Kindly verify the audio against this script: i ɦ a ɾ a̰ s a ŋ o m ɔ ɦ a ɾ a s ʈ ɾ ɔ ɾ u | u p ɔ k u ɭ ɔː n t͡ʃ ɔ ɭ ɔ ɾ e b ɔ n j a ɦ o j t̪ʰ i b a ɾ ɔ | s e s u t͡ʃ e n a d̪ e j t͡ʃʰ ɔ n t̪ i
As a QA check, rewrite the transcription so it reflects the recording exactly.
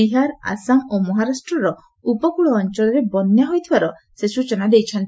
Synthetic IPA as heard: i ɦ a ɾ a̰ s a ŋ o m ɔ ɦ a ɾ a s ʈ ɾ ɔ ɾ ɔ | u p ɔ k u ɭ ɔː n t͡ʃ ɔ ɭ ɔ ɾ e b ɔ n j a ɦ o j t̪ʰ i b a ɾ ɔ | s e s u t͡ʃ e n a d̪ e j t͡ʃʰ ɔ n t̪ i